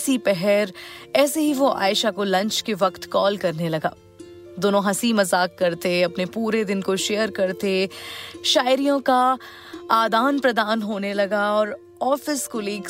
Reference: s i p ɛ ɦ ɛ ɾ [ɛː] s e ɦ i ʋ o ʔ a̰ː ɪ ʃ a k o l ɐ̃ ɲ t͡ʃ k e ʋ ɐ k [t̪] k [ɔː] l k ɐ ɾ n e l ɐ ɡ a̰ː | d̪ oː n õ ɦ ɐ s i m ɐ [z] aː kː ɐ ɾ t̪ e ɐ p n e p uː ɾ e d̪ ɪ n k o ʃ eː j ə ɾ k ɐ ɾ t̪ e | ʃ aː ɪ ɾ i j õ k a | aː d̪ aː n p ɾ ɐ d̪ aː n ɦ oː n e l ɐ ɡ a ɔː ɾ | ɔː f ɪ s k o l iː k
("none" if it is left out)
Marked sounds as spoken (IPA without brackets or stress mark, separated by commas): ɛː, t̪, ɔː, z